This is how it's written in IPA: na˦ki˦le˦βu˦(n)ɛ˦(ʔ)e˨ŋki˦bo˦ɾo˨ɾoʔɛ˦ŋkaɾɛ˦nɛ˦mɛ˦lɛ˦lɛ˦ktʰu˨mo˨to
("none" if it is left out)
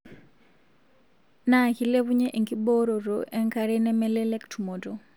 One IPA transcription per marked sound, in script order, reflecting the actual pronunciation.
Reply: ɲ, ʔ

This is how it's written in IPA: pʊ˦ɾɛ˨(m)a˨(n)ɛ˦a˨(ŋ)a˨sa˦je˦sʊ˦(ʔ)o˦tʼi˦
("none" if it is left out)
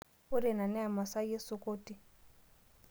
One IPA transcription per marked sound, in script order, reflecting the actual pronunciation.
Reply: n, n, m, k

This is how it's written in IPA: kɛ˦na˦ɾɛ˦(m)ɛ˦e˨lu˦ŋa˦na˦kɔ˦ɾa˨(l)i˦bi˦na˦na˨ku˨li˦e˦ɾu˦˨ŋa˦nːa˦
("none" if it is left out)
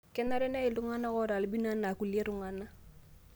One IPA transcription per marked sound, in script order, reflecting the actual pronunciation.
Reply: n, l

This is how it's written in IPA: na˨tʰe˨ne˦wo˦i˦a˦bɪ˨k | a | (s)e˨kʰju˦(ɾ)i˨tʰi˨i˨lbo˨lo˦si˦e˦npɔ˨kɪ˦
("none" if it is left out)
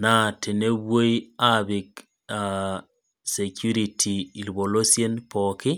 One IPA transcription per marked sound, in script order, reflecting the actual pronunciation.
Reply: s, ɾ

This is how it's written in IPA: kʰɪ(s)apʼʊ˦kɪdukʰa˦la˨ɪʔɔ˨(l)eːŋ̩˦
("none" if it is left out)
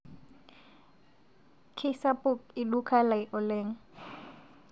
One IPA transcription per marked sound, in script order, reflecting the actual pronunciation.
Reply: s, l

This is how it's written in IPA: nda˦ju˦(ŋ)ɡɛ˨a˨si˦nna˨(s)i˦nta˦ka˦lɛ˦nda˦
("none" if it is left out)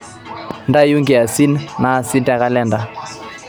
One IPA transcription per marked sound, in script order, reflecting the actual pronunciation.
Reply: ŋ, s

